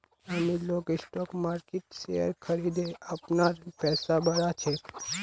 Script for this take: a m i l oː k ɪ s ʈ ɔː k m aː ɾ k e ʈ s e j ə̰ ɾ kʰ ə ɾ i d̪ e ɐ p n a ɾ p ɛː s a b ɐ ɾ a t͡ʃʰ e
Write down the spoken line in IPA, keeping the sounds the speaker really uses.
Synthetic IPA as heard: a m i l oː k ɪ s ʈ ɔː k m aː ɾ k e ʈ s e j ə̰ ɾ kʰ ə ɾ i d̪ e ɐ p n a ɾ p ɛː s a b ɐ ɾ a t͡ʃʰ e